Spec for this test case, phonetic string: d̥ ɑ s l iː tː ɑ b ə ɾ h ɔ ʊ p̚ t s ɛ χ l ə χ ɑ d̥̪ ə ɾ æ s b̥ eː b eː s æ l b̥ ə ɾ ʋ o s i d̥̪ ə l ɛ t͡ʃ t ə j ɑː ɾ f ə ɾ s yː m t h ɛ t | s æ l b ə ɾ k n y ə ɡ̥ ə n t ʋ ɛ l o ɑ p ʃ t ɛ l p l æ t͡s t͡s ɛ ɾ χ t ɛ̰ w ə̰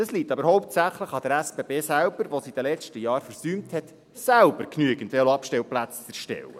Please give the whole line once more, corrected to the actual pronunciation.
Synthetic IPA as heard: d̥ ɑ s l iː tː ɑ b ə ɾ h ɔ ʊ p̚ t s æ χ l ə χ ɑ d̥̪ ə ɾ æ s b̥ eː b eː s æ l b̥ ə ɾ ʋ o s i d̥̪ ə l ɛ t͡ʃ t ə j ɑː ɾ f ə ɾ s yː m t h ɛ t | s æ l b ə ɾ k n y ə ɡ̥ ə n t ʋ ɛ l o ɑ p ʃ t ɛ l p l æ t͡s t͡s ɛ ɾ ʃ t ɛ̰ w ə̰